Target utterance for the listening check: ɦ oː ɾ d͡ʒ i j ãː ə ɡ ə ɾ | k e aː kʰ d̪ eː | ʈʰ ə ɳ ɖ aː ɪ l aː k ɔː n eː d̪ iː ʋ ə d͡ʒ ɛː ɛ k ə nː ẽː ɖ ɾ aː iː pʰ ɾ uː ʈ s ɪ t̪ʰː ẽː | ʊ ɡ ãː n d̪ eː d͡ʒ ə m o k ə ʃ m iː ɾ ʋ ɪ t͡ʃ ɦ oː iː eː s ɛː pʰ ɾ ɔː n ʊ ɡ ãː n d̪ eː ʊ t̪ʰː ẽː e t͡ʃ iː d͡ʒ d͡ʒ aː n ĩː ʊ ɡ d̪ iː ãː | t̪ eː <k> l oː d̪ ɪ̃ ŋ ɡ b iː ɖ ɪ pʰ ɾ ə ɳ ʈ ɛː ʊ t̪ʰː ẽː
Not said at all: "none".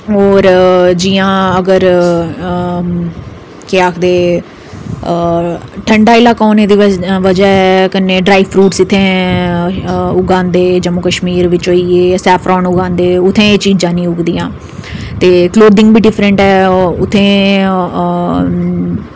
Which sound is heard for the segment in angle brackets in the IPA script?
k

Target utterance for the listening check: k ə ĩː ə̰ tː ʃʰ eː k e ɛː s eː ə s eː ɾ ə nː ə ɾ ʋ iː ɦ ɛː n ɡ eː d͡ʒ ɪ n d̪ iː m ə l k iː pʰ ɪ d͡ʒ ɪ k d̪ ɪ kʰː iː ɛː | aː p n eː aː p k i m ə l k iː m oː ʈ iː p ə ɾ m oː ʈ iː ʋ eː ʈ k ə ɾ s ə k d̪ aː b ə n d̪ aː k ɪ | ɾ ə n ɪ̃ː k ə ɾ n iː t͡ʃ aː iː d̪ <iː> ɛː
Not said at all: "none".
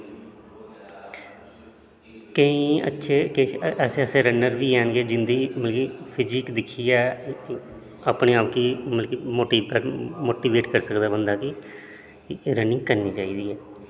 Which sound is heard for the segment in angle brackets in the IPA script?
iː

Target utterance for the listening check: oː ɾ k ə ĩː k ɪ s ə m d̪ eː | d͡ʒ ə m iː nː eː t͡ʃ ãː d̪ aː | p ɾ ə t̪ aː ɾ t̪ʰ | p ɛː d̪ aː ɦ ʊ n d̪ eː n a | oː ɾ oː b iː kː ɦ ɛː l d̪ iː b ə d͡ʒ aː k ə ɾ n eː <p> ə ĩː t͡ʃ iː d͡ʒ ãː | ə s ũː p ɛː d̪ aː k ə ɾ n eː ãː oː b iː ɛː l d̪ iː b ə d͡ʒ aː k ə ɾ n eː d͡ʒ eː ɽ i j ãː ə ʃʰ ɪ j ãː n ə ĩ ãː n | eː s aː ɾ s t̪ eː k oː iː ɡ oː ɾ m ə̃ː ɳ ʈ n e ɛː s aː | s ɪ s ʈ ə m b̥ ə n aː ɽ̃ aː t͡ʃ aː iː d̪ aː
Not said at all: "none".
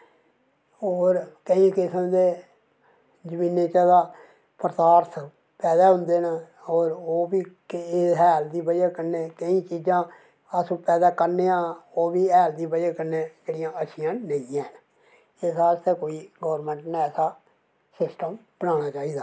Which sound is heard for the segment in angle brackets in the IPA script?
k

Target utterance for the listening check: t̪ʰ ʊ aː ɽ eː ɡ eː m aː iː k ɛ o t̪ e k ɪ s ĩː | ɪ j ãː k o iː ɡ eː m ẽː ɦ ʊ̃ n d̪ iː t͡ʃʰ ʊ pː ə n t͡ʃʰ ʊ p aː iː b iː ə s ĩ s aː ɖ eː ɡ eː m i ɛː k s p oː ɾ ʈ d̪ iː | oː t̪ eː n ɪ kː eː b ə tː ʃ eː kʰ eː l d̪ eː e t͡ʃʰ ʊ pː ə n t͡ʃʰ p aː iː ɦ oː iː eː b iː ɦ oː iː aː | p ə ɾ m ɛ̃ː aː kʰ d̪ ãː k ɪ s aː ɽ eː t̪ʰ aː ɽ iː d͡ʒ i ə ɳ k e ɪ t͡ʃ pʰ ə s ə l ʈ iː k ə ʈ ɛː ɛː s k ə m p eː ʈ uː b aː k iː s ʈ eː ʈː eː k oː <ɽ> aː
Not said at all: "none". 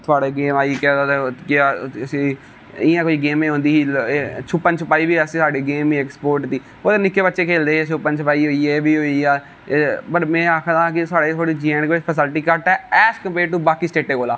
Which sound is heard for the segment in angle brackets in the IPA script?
l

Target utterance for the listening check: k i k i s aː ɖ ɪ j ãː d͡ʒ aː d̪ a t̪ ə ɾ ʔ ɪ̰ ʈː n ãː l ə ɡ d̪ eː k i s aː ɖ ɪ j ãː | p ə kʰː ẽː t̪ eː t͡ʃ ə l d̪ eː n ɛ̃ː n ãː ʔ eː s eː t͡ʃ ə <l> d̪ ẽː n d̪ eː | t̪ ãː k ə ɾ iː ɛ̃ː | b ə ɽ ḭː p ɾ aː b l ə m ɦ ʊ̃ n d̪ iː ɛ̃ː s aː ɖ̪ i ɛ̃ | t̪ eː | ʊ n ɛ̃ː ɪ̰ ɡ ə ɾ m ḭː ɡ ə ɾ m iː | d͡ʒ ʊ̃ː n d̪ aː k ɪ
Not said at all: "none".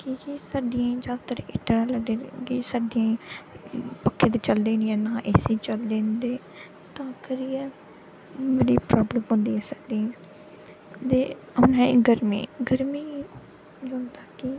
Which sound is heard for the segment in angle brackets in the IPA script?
l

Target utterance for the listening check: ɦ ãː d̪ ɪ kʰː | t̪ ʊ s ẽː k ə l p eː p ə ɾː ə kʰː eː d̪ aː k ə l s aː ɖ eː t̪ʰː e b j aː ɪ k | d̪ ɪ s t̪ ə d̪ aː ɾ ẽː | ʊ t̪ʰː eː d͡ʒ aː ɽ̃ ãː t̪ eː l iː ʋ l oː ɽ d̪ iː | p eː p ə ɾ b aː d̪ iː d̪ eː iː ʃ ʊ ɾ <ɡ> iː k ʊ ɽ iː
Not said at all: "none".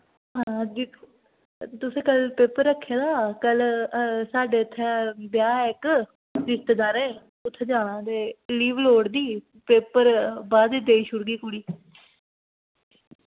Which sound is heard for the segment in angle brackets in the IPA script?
ɡ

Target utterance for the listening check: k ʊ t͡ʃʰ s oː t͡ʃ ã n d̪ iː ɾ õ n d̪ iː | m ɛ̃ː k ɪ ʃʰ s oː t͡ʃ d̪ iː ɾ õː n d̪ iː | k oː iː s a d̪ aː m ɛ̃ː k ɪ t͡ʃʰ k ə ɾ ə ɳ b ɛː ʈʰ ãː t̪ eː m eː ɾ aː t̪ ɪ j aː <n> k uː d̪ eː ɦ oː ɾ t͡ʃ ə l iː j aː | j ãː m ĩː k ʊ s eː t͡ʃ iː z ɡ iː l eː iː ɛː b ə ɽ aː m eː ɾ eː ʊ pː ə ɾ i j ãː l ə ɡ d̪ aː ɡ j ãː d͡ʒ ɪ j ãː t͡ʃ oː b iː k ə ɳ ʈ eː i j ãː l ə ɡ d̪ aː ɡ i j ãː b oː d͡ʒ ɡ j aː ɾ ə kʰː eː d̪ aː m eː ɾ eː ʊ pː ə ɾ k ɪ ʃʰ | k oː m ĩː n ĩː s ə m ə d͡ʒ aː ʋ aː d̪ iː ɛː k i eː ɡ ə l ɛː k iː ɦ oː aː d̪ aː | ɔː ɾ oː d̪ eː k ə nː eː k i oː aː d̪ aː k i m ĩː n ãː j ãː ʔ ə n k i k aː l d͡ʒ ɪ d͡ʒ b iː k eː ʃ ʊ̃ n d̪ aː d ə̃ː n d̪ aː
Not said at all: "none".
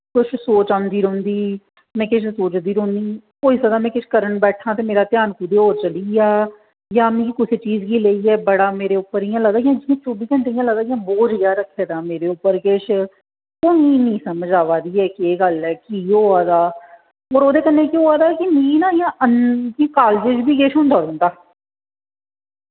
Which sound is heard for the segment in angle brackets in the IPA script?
n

